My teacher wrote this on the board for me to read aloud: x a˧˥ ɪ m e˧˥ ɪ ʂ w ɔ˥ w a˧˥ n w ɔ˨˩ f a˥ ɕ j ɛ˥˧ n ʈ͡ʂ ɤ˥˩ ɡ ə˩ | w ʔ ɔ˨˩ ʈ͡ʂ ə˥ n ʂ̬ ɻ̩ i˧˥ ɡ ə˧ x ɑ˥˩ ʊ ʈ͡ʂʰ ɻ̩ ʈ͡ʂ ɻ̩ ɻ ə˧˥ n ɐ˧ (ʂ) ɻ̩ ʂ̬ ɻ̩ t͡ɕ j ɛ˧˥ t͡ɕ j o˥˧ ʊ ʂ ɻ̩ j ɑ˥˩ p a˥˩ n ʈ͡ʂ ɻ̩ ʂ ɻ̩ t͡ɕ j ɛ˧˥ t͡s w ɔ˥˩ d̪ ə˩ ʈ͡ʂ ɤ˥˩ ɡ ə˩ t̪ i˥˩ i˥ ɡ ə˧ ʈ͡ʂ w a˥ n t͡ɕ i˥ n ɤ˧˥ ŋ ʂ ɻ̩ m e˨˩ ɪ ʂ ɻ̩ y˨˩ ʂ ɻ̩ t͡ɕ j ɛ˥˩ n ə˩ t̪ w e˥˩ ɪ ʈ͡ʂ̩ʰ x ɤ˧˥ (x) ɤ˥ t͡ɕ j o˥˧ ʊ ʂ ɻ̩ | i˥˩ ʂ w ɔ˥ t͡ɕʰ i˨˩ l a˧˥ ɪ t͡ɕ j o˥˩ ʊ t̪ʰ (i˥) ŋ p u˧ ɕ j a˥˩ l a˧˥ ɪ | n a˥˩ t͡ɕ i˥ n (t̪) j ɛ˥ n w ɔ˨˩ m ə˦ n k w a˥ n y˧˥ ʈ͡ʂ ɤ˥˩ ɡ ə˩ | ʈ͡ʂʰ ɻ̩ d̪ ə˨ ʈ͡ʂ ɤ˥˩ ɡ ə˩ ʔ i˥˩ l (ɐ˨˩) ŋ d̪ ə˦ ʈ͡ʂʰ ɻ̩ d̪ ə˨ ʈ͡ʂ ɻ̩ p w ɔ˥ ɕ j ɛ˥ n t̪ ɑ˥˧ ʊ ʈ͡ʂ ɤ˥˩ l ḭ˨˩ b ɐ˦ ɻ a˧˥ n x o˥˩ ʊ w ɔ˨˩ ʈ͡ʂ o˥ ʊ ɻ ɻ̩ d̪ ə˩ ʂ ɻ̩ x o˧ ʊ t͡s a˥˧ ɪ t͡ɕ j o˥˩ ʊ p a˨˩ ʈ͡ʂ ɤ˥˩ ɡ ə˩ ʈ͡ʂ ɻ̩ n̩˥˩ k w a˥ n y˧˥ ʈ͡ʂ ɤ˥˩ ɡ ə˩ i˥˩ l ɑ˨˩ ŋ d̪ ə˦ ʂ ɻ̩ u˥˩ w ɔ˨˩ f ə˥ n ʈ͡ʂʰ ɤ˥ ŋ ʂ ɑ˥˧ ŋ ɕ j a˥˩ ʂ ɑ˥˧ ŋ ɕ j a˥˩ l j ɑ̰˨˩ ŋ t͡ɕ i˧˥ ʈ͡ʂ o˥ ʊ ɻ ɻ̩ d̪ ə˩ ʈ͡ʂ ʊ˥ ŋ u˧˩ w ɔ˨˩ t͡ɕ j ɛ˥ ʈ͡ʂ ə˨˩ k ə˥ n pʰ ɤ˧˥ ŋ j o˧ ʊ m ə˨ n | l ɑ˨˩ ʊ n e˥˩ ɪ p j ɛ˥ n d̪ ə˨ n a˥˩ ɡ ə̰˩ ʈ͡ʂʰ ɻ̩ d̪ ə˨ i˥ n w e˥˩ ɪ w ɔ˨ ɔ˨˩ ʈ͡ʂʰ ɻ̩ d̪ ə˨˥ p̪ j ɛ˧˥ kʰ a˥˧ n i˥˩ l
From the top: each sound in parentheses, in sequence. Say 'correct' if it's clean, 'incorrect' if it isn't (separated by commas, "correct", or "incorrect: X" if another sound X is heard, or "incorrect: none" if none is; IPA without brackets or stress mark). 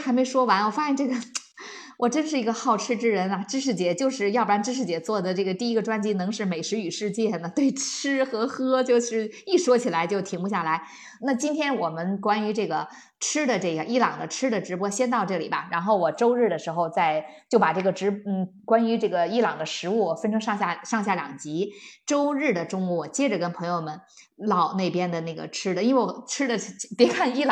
incorrect: ʈ͡ʂ, correct, incorrect: i˧˥, incorrect: t̪ʰ, incorrect: ɑ˨˩